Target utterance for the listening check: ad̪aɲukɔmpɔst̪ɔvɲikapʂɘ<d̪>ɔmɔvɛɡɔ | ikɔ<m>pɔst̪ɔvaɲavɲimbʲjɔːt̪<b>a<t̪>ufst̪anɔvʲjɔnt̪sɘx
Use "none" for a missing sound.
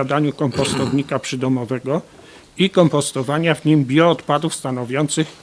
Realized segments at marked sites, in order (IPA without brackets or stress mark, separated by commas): d̪, m, p, d̪